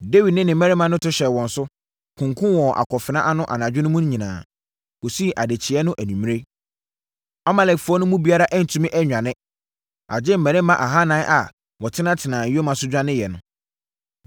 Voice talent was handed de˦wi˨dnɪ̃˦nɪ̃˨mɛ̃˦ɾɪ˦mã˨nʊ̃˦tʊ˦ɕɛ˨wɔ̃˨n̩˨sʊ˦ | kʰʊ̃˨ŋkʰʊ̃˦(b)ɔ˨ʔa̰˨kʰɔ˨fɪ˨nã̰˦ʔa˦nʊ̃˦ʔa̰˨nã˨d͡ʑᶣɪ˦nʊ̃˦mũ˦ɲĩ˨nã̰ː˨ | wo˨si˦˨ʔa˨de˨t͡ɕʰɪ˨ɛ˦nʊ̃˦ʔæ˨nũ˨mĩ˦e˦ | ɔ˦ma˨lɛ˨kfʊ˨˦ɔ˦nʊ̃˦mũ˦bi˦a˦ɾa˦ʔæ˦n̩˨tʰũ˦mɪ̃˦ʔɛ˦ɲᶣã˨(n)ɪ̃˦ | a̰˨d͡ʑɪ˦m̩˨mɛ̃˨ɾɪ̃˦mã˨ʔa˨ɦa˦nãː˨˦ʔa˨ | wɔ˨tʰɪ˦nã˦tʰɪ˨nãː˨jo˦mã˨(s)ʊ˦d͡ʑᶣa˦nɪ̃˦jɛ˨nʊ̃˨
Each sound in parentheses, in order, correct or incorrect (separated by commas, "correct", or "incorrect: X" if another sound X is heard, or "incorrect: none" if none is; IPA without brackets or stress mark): incorrect: w, correct, correct